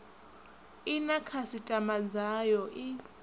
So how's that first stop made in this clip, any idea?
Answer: aspirated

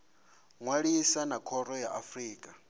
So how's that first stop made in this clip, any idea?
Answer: aspirated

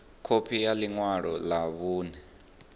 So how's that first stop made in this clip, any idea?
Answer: aspirated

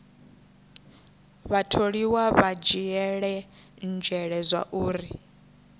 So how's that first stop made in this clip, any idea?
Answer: aspirated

